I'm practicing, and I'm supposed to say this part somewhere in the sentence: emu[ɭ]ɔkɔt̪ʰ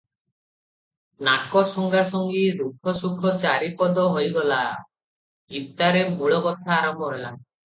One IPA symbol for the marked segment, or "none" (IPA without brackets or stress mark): ɭ